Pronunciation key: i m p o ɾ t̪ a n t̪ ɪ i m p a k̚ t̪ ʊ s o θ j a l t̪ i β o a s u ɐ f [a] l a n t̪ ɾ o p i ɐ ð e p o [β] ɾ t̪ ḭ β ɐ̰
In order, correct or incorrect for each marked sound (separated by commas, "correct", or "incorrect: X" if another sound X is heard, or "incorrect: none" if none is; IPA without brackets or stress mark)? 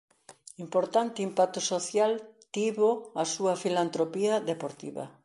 incorrect: i, incorrect: none